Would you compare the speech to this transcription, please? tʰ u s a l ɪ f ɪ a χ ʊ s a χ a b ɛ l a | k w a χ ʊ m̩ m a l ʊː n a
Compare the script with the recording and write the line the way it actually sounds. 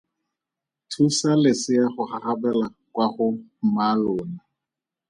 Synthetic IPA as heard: tʰ u s a l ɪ s ɪ a χ ʊ χ a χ a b ɛ l a | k w a χ ʊ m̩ m a l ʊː n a